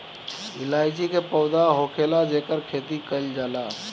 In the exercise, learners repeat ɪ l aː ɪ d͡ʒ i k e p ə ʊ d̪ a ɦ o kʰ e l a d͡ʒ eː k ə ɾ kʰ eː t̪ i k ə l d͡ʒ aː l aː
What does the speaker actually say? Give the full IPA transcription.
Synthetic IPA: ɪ l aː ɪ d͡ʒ i k e p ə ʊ d̪ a ɦ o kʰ e l a d͡ʒ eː k ə ɾ kʰ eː t̪ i k ə l d͡ʒ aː l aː